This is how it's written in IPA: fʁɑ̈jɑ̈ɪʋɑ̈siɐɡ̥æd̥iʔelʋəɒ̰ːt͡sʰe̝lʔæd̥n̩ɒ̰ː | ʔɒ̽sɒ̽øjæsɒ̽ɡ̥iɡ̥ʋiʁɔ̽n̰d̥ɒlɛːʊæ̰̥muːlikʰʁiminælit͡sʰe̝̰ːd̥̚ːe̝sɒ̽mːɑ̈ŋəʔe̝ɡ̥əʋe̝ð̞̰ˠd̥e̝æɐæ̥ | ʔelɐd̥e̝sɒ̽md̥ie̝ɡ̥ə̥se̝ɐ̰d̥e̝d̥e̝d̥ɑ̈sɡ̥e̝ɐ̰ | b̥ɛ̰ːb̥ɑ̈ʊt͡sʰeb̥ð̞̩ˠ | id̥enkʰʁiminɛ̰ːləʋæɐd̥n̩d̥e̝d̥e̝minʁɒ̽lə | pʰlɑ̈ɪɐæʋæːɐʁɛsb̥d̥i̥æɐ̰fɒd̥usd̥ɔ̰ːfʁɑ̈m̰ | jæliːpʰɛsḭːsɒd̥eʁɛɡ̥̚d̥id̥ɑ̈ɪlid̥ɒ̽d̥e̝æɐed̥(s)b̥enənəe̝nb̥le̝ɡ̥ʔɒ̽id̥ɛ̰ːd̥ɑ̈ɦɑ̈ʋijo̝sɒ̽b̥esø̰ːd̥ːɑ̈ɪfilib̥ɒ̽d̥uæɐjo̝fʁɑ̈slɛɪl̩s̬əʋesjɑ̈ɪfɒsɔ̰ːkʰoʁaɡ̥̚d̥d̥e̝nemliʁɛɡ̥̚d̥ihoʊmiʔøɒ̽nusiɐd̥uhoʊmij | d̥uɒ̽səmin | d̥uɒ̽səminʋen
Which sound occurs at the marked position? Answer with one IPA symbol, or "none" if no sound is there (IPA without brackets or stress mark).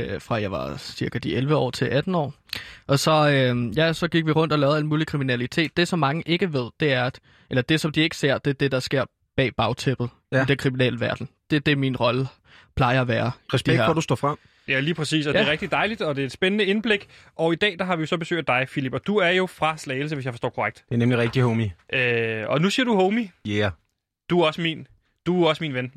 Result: s